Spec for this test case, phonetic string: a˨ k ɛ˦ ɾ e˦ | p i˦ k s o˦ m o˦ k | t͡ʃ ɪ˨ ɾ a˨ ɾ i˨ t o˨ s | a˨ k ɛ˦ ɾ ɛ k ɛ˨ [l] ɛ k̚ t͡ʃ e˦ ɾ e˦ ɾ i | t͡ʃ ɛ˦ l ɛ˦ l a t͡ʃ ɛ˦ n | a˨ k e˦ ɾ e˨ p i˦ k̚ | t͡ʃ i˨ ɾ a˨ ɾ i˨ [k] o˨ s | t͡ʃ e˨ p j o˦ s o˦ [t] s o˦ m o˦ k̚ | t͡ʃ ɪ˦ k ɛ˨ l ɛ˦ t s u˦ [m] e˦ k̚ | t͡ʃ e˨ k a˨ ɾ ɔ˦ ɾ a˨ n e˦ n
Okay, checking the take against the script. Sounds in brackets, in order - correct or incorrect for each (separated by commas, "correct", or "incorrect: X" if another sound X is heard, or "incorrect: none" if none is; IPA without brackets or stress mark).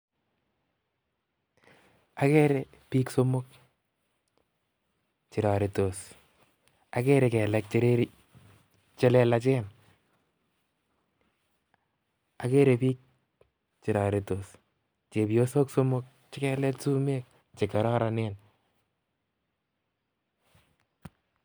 correct, incorrect: t, incorrect: k, correct